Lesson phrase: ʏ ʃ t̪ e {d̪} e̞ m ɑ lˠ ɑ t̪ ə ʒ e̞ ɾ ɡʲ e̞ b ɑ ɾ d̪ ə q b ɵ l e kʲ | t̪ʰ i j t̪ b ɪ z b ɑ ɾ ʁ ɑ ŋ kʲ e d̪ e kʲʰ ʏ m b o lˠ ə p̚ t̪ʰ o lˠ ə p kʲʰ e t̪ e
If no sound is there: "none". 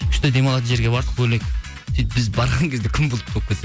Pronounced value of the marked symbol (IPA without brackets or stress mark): d̪